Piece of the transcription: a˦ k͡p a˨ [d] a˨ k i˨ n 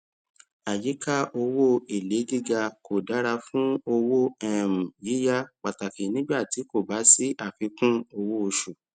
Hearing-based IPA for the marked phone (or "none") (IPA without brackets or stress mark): t